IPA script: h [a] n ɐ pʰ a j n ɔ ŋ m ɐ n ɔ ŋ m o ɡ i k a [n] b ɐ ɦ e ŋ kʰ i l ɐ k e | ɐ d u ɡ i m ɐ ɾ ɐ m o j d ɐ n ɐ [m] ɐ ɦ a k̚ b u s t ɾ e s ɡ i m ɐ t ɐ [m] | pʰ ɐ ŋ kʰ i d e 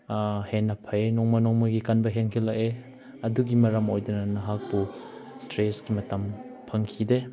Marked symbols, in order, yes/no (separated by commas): no, yes, no, yes